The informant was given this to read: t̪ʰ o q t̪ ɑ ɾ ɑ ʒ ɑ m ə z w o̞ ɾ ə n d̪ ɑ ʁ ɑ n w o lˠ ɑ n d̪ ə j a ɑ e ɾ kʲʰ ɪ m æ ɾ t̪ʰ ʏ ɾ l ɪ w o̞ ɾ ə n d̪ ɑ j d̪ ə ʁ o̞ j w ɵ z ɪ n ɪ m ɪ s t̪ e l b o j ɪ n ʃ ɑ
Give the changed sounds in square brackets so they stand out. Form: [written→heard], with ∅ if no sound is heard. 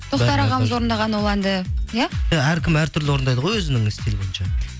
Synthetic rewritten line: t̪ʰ o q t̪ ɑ ɾ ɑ [ʒ→ʁ] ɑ m ə z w o̞ ɾ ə n d̪ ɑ ʁ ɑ n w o lˠ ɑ n d̪ ə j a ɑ [e→æ] ɾ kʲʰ ɪ m æ ɾ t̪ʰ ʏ ɾ l ɪ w o̞ ɾ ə n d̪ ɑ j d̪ ə ʁ o̞ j w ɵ z ɪ n ɪ [m→ŋ] ɪ s t̪ e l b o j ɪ n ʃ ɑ

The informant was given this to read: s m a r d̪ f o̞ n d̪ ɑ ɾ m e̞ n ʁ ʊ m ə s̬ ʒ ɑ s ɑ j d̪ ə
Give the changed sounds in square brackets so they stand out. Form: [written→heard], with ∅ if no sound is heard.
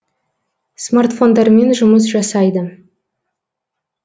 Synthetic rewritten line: s m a r [d̪→t̪] f o̞ n d̪ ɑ ɾ m e̞ n [ʁ→ʒ] ʊ m ə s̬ ʒ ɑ s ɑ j d̪ ə

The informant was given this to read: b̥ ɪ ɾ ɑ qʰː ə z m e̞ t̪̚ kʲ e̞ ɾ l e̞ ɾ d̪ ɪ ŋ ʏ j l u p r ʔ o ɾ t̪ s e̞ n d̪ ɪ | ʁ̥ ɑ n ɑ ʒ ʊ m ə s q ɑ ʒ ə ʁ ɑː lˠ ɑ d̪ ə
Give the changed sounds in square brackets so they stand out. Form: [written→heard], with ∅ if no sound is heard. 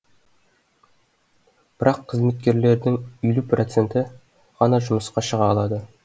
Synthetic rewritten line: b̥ ɪ ɾ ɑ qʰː ə z m e̞ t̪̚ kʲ e̞ ɾ l e̞ ɾ d̪ ɪ ŋ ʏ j l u p r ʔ o [ɾ→∅] t̪ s e̞ n [d̪→t̪] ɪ | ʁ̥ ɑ n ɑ ʒ ʊ m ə s q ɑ [ʒ→ʃ] ə ʁ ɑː lˠ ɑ d̪ ə

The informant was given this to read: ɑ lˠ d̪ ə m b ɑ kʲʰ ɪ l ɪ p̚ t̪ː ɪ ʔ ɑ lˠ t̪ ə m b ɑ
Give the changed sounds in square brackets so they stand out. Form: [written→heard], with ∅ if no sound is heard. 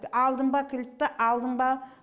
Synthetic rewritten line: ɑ lˠ d̪ ə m b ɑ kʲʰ ɪ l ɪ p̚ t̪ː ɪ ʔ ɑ lˠ [t̪→d̪] ə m b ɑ

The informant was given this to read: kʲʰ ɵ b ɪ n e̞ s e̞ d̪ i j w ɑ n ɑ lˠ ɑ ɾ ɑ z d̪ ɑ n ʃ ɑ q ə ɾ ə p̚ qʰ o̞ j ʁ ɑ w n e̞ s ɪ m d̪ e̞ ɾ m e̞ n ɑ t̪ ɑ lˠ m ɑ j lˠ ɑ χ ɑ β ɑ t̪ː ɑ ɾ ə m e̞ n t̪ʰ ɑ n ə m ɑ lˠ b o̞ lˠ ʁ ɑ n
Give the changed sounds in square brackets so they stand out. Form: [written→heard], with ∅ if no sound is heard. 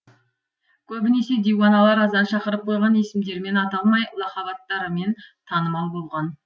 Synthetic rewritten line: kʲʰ ɵ b ɪ n e̞ s e̞ d̪ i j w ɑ n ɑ lˠ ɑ ɾ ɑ z d̪ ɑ n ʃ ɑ q ə ɾ ə p̚ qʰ o̞ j ʁ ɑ [w→∅] n e̞ s ɪ m d̪ e̞ ɾ m e̞ n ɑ t̪ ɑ lˠ m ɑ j lˠ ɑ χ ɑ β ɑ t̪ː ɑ ɾ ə m e̞ n t̪ʰ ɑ n ə m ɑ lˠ b o̞ lˠ ʁ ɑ n

